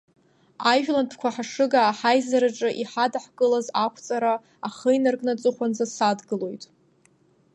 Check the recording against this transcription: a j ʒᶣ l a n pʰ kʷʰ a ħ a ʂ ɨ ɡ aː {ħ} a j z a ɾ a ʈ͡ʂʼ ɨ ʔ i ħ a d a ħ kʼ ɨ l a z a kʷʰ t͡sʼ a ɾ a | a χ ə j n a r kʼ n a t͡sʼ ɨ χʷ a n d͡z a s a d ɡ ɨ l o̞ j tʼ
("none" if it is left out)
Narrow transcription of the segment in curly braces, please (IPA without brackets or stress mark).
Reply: ħ